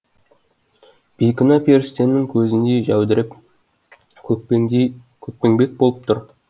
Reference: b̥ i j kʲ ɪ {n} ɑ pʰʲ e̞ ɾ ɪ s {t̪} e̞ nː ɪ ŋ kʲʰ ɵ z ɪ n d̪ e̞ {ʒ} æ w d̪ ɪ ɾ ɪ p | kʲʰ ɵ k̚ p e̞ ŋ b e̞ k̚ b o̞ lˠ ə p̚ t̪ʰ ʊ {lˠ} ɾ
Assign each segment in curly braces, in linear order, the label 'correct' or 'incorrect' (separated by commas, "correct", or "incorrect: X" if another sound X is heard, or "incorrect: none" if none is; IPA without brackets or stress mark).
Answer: correct, correct, correct, incorrect: none